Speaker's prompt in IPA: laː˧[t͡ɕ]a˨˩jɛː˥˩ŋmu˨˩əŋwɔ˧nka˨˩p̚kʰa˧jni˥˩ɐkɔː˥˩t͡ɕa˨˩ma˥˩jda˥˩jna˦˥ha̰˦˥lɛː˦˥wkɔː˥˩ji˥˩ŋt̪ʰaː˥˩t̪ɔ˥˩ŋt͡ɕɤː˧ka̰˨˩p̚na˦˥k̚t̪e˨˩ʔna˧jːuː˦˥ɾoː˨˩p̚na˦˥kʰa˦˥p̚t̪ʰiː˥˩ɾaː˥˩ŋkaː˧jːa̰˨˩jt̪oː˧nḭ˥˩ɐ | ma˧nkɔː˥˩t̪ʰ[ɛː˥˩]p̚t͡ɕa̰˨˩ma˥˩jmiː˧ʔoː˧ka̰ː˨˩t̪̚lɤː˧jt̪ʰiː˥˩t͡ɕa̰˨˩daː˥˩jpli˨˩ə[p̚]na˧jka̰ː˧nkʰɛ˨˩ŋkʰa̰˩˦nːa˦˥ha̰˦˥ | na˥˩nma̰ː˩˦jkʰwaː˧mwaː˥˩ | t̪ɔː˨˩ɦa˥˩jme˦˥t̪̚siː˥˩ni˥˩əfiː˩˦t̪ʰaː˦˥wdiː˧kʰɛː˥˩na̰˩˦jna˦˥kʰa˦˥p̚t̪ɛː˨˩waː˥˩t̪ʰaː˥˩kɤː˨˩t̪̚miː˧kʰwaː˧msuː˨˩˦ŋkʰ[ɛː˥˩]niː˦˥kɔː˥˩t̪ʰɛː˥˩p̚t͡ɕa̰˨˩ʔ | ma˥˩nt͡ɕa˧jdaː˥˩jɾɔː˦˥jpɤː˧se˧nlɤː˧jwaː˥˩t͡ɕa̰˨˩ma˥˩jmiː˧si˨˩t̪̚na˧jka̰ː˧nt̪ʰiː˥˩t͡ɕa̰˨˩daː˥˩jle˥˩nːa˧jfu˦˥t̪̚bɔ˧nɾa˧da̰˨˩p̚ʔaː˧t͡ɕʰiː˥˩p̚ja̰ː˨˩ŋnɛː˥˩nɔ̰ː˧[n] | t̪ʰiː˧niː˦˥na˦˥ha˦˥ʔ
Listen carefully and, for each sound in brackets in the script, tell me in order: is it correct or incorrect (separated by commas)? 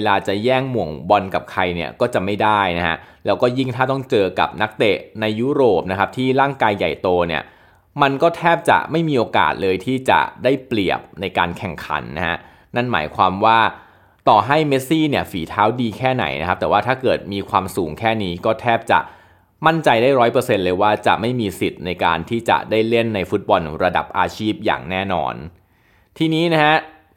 correct, correct, correct, correct, correct